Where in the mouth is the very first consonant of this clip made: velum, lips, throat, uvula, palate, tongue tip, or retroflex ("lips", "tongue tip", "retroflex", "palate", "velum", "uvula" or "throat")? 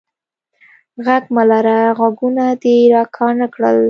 velum